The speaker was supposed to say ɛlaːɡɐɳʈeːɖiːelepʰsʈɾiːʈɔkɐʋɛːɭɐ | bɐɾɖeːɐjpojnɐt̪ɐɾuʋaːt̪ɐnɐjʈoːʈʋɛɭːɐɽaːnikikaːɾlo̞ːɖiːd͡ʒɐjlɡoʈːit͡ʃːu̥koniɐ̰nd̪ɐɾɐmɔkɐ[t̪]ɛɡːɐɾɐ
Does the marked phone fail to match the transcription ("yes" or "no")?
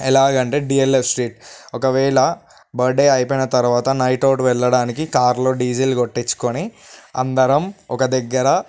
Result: yes